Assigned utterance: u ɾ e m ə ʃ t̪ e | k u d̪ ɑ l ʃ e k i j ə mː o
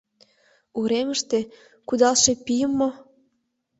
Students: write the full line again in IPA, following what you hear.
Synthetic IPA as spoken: u ɾ e m ə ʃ t̪ e | k u d̪ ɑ l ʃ e p i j ə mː o